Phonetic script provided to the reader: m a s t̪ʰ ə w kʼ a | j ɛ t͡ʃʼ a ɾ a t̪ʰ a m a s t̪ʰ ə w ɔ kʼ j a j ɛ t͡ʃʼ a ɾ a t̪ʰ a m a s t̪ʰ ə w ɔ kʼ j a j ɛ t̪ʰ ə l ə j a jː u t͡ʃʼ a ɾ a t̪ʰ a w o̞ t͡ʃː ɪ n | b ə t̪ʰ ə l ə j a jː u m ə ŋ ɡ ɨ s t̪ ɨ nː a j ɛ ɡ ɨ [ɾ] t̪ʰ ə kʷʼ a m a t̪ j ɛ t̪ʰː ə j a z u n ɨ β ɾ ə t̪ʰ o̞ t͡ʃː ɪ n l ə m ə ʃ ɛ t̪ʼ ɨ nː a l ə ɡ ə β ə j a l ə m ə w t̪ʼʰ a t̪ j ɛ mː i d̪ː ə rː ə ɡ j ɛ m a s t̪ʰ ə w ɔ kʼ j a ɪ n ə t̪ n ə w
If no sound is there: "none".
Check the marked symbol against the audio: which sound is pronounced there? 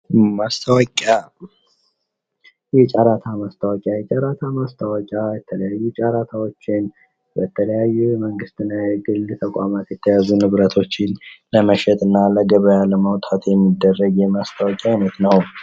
l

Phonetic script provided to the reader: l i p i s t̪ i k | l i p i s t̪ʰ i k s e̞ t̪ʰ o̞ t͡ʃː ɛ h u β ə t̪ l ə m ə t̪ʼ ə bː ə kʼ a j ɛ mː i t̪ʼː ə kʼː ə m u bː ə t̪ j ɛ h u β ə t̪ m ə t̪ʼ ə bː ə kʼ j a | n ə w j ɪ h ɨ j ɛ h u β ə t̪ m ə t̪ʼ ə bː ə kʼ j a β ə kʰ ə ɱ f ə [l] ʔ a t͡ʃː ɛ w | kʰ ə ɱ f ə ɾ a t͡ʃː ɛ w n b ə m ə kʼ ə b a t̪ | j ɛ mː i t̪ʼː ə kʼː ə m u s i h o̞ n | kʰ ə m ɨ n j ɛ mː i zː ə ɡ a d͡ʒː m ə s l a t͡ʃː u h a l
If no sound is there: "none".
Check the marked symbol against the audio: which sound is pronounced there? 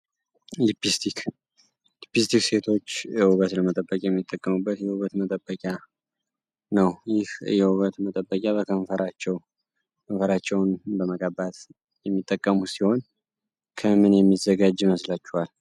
ɾ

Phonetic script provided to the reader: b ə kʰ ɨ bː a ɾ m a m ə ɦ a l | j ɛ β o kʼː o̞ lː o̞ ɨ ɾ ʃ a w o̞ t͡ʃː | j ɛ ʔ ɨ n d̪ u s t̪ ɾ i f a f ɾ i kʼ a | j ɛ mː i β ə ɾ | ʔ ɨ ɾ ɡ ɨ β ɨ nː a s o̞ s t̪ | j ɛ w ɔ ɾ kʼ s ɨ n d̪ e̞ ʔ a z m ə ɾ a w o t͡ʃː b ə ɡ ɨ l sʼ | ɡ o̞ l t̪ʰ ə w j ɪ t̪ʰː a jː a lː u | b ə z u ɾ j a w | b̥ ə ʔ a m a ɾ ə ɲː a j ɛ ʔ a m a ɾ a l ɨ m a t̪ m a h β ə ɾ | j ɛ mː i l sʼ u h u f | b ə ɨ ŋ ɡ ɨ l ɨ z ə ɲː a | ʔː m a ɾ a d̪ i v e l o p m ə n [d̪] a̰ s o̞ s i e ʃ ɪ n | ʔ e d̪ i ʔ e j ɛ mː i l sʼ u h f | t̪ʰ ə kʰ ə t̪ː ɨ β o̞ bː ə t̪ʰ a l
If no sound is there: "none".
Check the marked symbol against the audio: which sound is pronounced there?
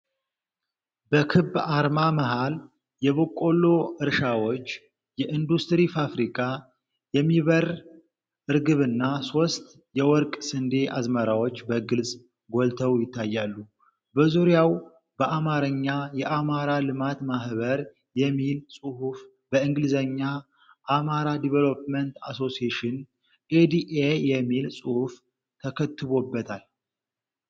t̪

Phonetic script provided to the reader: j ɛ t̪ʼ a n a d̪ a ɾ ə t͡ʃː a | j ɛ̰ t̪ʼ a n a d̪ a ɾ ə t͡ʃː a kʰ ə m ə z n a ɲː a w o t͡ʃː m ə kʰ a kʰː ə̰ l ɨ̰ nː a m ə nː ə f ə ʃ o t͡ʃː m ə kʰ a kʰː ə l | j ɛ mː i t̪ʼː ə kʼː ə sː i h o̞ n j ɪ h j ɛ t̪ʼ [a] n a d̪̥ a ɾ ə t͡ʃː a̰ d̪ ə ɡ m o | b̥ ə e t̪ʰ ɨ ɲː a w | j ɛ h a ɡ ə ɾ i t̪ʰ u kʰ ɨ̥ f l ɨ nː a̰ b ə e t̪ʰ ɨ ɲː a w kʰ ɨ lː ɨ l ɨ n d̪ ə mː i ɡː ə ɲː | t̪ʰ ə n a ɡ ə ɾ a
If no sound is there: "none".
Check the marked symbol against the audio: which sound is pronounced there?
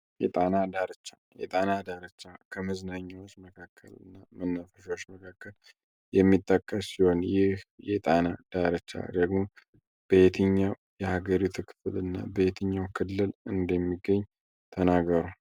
a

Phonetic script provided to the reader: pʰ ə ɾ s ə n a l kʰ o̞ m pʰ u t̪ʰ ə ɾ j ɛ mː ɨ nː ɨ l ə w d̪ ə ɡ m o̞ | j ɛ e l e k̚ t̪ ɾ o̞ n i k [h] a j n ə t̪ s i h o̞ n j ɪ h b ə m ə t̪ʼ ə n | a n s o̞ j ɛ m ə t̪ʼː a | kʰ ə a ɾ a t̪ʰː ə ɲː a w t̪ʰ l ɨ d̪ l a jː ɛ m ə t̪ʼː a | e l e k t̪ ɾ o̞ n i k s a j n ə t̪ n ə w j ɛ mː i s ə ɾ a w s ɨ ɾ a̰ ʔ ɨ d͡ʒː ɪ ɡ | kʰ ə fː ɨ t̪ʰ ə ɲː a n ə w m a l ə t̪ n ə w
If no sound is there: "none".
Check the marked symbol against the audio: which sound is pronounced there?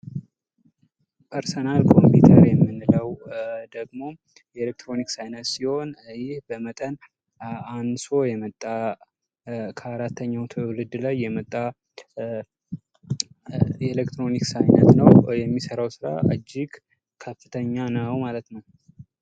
s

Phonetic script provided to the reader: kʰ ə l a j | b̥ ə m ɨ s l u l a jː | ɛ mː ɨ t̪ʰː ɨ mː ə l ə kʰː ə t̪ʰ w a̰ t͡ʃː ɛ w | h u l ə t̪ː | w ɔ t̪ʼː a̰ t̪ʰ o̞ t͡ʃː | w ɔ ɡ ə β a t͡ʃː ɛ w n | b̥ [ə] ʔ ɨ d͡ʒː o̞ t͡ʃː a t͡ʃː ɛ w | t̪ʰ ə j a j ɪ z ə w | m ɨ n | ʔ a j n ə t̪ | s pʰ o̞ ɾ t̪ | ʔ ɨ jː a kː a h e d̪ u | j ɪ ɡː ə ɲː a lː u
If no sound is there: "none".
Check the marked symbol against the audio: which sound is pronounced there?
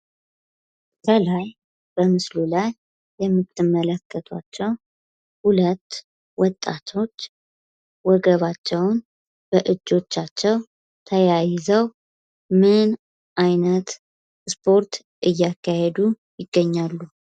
ə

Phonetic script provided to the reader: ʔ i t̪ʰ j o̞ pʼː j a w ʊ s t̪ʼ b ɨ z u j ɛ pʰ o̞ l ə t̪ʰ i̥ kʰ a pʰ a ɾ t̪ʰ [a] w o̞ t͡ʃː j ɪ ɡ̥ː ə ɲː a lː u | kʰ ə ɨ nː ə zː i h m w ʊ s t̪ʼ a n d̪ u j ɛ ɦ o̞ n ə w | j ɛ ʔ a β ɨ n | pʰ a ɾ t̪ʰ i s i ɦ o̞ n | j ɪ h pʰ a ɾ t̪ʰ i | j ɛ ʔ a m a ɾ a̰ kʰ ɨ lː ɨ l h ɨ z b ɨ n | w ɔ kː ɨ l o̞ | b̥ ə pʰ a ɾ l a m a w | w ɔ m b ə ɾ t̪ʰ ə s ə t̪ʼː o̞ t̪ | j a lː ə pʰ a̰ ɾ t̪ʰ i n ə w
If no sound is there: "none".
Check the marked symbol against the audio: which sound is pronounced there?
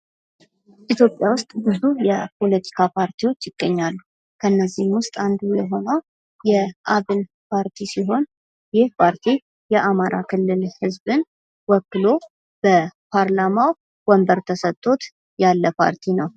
i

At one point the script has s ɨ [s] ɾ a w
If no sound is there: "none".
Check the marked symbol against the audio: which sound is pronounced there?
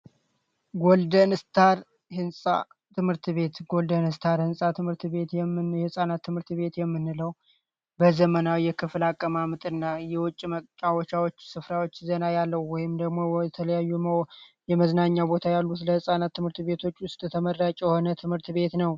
f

